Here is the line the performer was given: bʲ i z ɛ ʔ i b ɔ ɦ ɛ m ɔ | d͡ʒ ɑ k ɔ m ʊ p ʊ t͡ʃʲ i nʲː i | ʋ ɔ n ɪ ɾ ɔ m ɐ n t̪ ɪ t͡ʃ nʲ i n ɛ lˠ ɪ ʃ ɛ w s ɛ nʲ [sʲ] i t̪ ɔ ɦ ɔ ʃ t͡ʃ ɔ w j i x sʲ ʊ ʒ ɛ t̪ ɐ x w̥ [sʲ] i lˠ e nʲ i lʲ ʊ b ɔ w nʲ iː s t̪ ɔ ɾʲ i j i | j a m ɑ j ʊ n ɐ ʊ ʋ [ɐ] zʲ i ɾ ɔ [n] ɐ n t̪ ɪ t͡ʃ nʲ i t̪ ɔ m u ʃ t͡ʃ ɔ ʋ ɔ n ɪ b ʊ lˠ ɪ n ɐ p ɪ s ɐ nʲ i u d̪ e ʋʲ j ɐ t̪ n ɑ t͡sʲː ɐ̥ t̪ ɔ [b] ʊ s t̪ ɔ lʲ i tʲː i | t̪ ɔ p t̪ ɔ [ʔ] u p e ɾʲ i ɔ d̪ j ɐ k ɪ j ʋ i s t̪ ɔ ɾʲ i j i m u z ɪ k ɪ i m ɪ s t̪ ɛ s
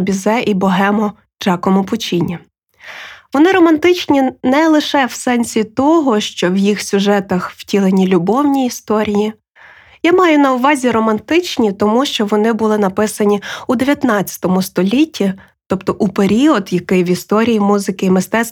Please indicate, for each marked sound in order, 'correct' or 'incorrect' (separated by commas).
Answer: correct, incorrect, incorrect, incorrect, incorrect, correct